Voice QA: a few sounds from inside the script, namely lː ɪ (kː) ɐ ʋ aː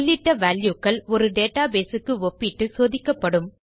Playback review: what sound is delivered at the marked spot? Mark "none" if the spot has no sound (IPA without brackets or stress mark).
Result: ʈː